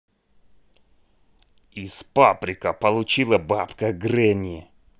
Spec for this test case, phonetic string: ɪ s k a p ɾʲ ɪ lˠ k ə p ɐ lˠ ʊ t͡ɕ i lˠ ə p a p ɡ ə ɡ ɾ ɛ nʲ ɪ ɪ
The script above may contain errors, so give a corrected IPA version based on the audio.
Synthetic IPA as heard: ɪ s p a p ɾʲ ɪ k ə p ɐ lˠ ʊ t͡ɕ i lˠ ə b a p k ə ɡ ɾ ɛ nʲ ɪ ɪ

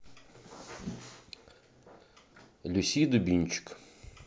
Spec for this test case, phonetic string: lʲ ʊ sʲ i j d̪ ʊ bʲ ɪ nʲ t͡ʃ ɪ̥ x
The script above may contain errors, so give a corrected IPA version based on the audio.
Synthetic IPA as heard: lʲ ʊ sʲ i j d̪ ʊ bʲ i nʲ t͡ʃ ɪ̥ k

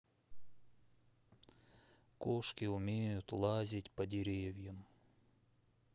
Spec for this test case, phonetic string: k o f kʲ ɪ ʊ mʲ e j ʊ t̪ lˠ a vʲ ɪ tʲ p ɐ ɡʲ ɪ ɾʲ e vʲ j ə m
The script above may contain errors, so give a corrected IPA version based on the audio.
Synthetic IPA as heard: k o ʂ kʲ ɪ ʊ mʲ e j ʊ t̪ lˠ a zʲ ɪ tʲ p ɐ dʲ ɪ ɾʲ e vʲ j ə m

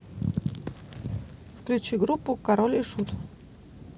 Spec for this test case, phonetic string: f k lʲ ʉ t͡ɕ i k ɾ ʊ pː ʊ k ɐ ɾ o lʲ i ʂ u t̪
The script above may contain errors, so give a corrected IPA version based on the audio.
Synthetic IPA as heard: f k lʲ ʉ t͡ɕ i ɡ ɾ u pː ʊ k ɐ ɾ o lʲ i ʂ u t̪

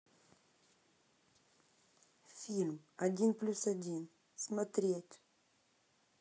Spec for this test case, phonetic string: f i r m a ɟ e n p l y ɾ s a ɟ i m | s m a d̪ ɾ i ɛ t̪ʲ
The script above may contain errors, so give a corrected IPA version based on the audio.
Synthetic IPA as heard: f i l m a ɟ i n p l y s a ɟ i n | s m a t̪ ɾ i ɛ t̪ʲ

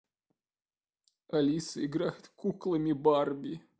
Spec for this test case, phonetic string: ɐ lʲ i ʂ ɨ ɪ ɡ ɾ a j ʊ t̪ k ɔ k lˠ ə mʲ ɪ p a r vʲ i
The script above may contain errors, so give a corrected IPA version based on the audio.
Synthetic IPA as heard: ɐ lʲ i s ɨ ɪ ɡ ɾ a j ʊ t̪ k u k lˠ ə mʲ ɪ b a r bʲ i

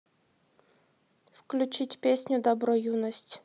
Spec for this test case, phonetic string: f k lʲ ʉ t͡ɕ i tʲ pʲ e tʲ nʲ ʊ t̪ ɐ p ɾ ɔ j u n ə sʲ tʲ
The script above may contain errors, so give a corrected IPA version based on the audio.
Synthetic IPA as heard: f k lʲ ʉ t͡ɕ i tʲ pʲ e sʲ nʲ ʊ d̪ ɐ b ɾ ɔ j u n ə sʲ tʲ

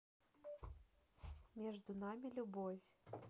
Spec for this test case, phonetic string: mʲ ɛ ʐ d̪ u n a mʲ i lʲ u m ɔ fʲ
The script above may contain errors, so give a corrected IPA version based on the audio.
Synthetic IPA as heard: mʲ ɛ ʐ d̪ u n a mʲ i lʲ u b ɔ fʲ

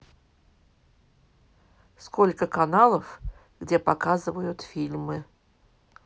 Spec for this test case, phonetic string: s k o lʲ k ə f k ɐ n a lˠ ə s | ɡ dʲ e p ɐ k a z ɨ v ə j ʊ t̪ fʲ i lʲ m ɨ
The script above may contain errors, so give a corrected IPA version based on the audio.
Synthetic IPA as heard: s k o lʲ k ə k ɐ n a lˠ ə f | ɡ dʲ e p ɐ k a z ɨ v ə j ʊ t̪ fʲ i lʲ m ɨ

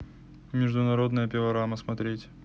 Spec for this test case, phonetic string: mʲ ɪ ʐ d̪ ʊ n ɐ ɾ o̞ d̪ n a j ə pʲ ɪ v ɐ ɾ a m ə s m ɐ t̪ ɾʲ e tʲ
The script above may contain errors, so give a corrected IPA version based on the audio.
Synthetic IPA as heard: mʲ ɪ ʐ d̪ ʊ n ɐ ɾ o̞ d̪ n ə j ə pʲ ɪ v ɐ ɾ a m ə s m ɐ t̪ ɾʲ e tʲ

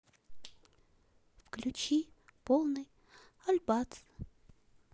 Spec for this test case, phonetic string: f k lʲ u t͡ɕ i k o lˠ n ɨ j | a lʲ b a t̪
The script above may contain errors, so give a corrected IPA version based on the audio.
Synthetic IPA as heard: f k lʲ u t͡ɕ i p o lˠ n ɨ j | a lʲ b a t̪

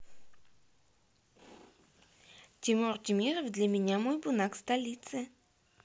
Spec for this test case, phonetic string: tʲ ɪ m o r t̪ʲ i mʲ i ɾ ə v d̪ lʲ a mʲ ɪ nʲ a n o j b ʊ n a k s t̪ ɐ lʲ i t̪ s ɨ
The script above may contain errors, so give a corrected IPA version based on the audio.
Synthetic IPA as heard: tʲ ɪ m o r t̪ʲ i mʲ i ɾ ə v d̪ lʲ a mʲ ɪ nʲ a m o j b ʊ n a k s t̪ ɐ lʲ i t̪ s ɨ

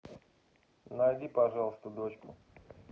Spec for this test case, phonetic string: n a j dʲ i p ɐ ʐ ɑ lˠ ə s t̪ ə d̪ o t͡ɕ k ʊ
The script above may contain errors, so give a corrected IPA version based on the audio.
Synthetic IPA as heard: n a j dʲ i p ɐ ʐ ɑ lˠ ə s t̪ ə d̪ o t͡ɕ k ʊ

